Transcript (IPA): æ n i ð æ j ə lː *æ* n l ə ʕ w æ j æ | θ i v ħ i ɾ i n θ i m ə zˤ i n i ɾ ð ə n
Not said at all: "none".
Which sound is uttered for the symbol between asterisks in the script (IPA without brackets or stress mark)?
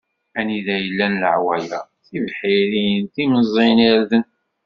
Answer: æ